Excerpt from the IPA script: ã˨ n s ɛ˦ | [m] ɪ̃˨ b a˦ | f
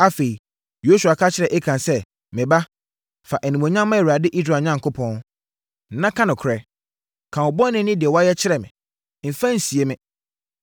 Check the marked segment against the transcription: correct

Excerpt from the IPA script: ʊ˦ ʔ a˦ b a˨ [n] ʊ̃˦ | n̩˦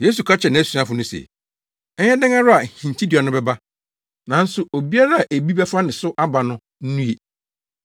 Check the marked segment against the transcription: correct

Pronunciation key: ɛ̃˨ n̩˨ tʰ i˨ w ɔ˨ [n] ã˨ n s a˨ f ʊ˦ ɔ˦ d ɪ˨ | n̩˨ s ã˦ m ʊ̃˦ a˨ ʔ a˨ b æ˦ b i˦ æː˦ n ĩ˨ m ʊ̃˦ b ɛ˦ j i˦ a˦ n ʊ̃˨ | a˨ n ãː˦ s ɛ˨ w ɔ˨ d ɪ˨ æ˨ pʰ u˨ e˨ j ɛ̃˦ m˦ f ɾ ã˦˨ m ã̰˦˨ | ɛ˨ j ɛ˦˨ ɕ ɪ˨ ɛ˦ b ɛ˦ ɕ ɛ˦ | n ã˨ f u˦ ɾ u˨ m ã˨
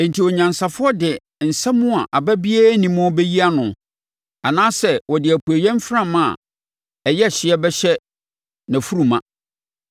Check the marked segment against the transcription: incorrect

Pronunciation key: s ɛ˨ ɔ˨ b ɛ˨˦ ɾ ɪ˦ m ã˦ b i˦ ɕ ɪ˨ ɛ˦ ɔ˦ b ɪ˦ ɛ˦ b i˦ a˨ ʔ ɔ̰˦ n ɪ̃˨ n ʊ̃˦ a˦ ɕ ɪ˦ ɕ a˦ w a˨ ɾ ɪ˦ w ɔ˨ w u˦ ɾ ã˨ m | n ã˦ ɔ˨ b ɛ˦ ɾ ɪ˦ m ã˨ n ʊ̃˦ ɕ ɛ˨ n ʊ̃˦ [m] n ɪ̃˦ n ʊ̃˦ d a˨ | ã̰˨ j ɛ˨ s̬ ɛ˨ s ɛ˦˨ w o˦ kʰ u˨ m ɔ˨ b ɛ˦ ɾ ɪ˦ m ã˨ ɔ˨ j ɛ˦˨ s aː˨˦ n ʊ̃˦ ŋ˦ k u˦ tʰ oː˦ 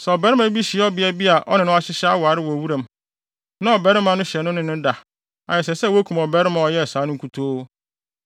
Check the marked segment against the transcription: incorrect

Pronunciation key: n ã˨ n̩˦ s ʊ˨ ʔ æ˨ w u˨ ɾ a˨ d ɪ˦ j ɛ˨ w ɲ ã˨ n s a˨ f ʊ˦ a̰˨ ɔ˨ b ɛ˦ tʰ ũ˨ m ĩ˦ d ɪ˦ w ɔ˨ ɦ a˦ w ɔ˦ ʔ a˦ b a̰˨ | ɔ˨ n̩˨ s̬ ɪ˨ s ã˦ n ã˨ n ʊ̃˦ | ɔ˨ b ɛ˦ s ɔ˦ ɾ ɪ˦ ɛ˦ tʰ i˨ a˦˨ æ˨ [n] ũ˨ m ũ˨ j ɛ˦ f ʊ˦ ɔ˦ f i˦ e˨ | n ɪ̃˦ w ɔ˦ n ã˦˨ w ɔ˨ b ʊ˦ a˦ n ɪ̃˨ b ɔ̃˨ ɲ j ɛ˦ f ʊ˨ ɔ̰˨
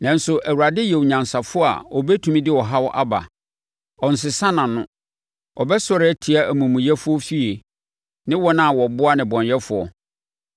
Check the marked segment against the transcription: incorrect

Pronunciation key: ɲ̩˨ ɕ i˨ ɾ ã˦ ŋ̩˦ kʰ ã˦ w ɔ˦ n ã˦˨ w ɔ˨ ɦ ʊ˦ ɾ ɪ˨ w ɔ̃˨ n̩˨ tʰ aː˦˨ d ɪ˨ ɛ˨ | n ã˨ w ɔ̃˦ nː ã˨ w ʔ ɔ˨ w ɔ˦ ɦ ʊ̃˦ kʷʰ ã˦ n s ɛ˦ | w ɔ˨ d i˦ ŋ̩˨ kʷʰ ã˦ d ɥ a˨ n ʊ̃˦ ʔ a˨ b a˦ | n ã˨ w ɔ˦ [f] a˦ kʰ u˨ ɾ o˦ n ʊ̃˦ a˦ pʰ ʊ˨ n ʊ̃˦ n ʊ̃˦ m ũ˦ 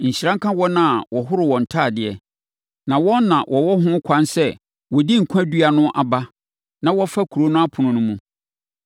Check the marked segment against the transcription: correct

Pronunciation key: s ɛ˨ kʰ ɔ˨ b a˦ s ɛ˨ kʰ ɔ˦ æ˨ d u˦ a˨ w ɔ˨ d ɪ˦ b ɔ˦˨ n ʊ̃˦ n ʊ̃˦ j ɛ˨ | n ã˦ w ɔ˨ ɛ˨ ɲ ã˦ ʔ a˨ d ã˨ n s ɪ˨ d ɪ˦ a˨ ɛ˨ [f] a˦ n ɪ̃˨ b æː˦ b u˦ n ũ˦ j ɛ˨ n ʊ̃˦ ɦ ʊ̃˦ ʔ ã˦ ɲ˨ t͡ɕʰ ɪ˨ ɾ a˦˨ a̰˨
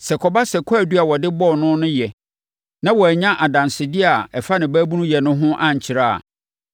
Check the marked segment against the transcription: correct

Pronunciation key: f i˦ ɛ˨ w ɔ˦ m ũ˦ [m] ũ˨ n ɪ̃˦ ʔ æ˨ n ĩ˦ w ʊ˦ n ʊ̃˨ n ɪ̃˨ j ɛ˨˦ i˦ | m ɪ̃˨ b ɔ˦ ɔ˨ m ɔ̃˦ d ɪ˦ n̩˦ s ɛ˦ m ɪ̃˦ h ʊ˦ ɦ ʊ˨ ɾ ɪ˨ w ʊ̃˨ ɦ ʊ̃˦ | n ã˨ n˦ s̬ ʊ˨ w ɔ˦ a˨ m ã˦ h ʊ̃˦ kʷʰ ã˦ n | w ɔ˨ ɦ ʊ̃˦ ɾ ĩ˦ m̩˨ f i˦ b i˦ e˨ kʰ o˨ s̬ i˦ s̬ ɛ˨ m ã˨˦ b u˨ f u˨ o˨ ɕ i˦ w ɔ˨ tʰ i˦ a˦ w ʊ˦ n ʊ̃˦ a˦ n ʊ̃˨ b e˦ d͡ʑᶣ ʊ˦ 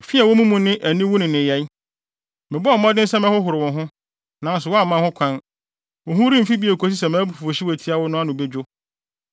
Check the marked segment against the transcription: correct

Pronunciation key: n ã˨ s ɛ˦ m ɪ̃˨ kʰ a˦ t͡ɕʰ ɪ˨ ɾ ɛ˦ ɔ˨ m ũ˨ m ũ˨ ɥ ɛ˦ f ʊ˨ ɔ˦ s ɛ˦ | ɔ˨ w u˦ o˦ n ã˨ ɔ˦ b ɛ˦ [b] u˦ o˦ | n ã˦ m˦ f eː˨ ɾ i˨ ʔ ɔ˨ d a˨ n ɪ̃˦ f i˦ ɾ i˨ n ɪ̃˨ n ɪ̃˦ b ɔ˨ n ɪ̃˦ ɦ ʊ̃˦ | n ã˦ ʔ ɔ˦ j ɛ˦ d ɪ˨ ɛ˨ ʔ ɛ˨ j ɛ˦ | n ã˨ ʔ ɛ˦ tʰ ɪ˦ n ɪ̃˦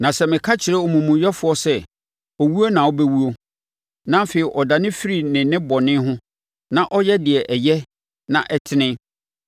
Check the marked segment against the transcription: incorrect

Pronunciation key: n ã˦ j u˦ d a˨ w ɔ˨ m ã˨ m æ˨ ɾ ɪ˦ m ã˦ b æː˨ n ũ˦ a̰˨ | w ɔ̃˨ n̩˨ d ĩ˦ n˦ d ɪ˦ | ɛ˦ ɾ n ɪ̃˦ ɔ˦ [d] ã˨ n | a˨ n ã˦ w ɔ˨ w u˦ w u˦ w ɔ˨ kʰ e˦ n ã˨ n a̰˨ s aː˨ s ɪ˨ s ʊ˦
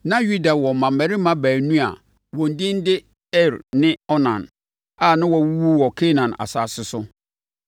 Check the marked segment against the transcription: incorrect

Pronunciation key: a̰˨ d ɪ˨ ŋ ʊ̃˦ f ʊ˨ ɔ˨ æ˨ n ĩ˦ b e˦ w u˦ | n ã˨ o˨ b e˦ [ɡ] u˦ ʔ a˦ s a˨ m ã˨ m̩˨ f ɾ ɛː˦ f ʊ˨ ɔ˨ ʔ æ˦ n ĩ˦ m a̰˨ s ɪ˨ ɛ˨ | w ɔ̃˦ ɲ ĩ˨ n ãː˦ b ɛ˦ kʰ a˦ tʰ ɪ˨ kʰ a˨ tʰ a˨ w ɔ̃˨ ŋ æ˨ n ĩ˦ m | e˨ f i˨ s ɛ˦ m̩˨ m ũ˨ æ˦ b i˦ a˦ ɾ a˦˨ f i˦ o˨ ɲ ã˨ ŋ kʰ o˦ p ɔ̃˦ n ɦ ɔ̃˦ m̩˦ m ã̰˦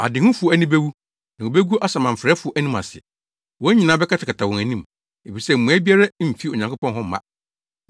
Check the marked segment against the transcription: correct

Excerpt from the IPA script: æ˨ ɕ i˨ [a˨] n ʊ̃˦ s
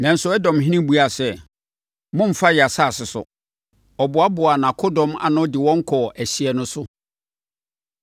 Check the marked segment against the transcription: incorrect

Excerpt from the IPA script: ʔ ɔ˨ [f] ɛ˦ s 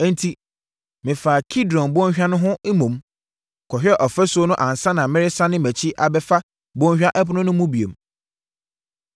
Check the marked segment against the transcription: correct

